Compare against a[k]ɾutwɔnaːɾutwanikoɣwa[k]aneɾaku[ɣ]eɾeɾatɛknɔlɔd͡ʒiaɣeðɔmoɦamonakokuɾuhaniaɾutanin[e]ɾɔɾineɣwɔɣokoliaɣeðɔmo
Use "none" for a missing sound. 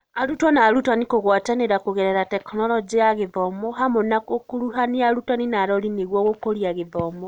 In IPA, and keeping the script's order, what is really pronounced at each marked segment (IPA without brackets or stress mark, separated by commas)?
none, t, ɣ, a